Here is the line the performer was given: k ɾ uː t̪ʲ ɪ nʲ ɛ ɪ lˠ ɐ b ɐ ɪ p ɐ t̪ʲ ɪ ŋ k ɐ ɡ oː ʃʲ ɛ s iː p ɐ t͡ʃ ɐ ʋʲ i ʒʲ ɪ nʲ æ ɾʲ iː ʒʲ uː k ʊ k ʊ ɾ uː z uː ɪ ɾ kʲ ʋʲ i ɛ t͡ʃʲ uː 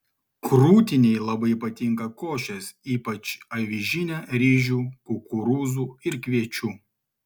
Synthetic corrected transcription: k ɾ uː t̪ʲ ɪ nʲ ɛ ɪ lˠ ɐ b ɐ ɪ p ɐ t̪ʲ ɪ ŋ k ɐ k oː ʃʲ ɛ s iː p ɐ t͡ʃ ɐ ʋʲ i ʒʲ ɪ nʲ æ ɾʲ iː ʒʲ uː k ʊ k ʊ ɾ uː z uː ɪ ɾ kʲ ʋʲ i ɛ t͡ʃʲ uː